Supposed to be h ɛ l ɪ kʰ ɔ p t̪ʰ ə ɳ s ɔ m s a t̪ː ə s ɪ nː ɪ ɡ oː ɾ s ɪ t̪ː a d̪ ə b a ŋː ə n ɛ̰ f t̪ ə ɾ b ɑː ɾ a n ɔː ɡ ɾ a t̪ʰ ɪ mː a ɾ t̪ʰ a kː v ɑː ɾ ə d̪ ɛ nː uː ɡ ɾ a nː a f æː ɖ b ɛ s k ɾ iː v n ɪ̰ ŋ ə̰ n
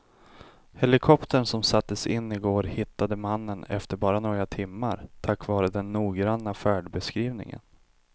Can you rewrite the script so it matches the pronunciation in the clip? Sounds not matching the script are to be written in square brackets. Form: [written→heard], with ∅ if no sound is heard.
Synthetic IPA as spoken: h ɛ l ɪ kʰ ɔ p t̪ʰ ə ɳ s ɔ m s a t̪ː ə s ɪ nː ɪ ɡ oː ɾ [s→h] ɪ t̪ː a d̪ ə [b→m] a [ŋː→nː] ə n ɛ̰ f t̪ ə ɾ b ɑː ɾ a n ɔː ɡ ɾ a t̪ʰ ɪ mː a ɾ t̪ʰ a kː v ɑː ɾ ə d̪ ɛ nː uː ɡ ɾ a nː a f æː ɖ b ɛ s k ɾ iː v n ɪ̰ ŋ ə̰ n